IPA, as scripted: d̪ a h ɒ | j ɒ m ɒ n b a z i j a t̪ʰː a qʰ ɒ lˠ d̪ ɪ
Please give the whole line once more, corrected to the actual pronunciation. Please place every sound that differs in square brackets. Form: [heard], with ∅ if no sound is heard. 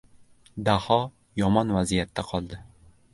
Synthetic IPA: d̪ a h ɒ | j ɒ m ɒ n [v] a z i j a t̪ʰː a qʰ ɒ lˠ d̪ ɪ